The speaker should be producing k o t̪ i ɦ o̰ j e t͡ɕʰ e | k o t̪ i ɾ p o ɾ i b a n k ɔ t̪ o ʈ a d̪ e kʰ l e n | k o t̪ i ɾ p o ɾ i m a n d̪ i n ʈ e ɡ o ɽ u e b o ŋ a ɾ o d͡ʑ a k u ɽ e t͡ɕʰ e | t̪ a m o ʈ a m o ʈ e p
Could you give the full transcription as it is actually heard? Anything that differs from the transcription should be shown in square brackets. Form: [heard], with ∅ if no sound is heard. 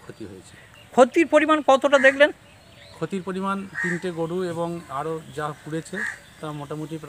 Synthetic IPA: [kʰ] o t̪ i ɦ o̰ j e t͡ɕʰ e | [kʰ] o t̪ i ɾ p o ɾ i [m] a n k ɔ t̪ o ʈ a d̪ e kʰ l e n | [kʰ] o t̪ i ɾ p o ɾ i m a n [t̪] i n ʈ e ɡ o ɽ u e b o ŋ a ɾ o d͡ʑ a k u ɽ e t͡ɕʰ e | t̪ a m o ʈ a m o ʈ [i] p